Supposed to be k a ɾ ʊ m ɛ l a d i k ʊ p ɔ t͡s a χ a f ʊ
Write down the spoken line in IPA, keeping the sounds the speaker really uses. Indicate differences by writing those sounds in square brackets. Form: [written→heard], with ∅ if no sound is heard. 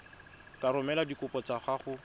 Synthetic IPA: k a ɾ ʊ m ɛ l a d i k ʊ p ɔ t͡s a χ a [f→χ] ʊ